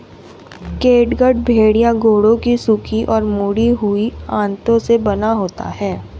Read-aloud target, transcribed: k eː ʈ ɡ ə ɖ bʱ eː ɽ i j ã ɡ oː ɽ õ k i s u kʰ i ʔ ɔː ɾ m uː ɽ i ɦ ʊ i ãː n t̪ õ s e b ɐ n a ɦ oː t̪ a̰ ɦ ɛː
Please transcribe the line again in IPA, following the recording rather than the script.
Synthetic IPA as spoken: k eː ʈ ɡ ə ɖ bʱ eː ɽ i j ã ɡ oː ɽ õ k i s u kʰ i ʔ ɔː ɾ m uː ɽ i ɦ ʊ i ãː n t̪ õ s e b ɐ n a ɦ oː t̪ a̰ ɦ ɛː